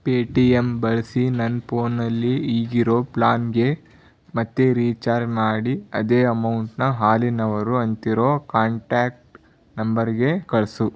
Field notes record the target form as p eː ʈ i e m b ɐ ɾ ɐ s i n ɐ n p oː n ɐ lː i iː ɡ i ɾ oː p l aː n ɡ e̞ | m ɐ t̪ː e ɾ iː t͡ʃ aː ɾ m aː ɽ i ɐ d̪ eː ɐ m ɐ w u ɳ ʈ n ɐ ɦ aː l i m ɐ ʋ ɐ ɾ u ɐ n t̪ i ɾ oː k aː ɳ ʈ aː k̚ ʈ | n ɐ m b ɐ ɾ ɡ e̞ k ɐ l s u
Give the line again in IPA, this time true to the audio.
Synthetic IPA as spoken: p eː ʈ i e m b ɐ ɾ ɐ s i n ɐ n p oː n ɐ lː i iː ɡ i ɾ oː p l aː n ɡ e̞ | m ɐ t̪ː e ɾ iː t͡ʃ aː ɾ m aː ɽ i ɐ d̪ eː ɐ m ɐ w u ɳ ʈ n ɐ ɦ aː l i n ɐ ʋ ɐ ɾ u ɐ n t̪ i ɾ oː k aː ɳ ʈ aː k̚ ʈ | n ɐ m b ɐ ɾ ɡ e̞ k ɐ ɭ s u